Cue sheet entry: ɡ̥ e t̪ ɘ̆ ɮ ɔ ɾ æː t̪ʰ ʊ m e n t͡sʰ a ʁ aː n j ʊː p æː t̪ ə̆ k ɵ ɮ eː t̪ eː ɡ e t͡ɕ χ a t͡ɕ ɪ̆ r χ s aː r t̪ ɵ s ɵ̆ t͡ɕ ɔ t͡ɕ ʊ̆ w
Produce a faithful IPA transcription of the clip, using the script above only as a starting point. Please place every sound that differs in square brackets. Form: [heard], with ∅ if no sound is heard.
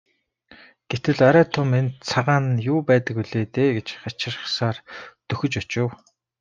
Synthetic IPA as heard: ɡ̥ e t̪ ɘ̆ ɮ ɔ ɾ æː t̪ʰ ʊ m e n t͡sʰ a ʁ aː n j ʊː p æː t̪ ə̆ k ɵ ɮ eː t̪ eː ɡ e t͡ɕ χ a t͡ɕ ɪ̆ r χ s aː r t̪ ɵ [x] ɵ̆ t͡ɕ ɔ t͡ɕ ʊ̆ w